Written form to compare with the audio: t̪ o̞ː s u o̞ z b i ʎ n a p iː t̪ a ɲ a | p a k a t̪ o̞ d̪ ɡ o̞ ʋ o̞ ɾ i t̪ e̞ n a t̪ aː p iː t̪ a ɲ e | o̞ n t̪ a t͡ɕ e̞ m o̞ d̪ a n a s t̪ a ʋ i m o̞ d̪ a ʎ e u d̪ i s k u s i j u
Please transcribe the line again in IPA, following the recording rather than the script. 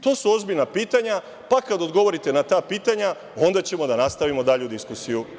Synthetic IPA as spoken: t̪ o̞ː s u o̞ z b i ʎ n a p iː t̪ a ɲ a | p a k a d̪ o̞ d̪ ɡ o̞ ʋ o̞ ɾ i t̪ e̞ n a t̪ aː p iː t̪ a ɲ a | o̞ n d̪ a t͡ɕ e̞ m o̞ d̪ a n a s t̪ a ʋ i m o̞ d̪ a ʎ e u d̪ i s k u s i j u

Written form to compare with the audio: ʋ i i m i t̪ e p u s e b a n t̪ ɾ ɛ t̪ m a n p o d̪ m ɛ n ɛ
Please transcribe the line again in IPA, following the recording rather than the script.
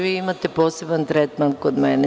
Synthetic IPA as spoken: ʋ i i m a t̪ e p o s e b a n t̪ ɾ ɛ t̪ m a n k o d̪ m ɛ n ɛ

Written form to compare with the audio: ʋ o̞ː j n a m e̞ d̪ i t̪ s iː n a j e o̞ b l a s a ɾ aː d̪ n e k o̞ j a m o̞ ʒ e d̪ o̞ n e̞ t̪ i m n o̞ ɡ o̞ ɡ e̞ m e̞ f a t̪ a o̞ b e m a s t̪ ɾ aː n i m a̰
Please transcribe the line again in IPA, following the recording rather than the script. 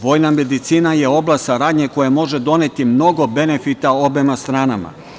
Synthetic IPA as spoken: ʋ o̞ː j n a m e̞ d̪ i t̪ s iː n a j e o̞ b l a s a ɾ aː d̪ ɲ e k o̞ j a m o̞ ʒ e d̪ o̞ n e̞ t̪ i m n o̞ ɡ o̞ b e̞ n e̞ f i t̪ a o̞ b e m a s t̪ ɾ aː n a m a̰

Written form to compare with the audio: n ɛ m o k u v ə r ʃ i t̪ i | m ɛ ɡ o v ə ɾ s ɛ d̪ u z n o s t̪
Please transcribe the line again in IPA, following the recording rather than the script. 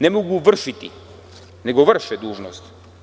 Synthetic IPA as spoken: n ɛ m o ɡ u v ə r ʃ i t̪ i | n ɛ ɡ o v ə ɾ ʃ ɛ d̪ u ʒ n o s t̪

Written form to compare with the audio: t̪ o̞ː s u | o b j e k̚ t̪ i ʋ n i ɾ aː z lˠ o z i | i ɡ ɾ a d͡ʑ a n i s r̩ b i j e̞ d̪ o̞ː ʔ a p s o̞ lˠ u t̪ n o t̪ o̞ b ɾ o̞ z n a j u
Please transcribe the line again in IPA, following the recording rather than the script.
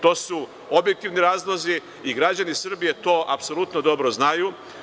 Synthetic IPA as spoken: t̪ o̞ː s u | o b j e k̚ t̪ i ʋ n i ɾ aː z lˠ o z i | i ɡ ɾ a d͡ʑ a n i s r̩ b i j e̞ t̪ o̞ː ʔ a p s o̞ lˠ u t̪ n o d̪ o̞ b ɾ o̞ z n a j u

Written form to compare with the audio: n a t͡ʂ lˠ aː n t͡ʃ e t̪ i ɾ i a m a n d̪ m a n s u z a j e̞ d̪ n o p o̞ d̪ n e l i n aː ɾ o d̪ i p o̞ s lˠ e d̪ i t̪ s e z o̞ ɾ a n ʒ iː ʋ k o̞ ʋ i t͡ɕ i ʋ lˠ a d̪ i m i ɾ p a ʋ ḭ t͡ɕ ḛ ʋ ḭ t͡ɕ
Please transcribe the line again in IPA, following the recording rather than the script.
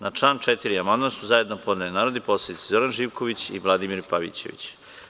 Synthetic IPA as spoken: n a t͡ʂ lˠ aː n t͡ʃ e t̪ i ɾ i a m a n d̪ m a n s u z a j e̞ d̪ n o p o̞ d̪ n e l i n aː ɾ o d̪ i p o̞ s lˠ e d̪ i t̪ s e z o̞ ɾ a n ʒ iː ʋ k o̞ ʋ i t͡ɕ i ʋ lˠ a d̪ i m i ɾ p a ʋ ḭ t͡ɕ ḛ ʋ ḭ t͡ɕ

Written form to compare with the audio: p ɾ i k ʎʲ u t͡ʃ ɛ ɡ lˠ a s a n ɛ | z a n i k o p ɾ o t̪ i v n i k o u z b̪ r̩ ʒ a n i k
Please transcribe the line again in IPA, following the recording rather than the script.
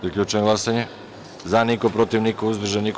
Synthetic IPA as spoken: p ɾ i k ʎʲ u t͡ʃ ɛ ɡ lˠ a s a ɲ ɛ | z a n i k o p ɾ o t̪ i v n i k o u z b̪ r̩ ʒ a n i k

